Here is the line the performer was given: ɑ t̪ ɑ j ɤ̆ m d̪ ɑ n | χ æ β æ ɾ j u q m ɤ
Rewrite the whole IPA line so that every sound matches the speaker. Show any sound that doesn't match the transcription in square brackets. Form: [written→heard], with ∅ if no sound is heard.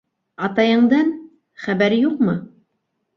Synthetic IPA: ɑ t̪ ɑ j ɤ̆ [m→ɴ] d̪ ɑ n | χ æ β æ ɾ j u q m ɤ